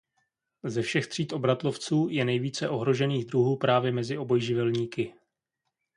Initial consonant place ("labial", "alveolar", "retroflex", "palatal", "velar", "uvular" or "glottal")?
alveolar